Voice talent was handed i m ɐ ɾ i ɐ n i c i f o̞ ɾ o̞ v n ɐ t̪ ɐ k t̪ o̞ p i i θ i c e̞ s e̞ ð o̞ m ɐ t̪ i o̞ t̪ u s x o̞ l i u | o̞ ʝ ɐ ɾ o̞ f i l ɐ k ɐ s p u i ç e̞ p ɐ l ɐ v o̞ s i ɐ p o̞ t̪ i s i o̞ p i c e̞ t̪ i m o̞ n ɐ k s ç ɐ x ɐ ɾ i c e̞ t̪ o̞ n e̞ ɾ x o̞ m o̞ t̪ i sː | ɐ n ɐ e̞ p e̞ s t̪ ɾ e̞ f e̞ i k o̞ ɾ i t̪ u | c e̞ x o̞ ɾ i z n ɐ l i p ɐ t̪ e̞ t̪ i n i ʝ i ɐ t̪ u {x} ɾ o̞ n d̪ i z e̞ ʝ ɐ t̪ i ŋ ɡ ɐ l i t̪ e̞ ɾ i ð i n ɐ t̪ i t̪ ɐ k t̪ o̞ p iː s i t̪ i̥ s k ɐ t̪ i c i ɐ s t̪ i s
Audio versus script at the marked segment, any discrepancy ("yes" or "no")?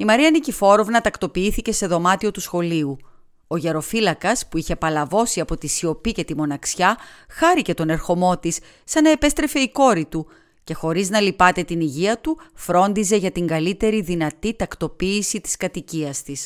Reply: yes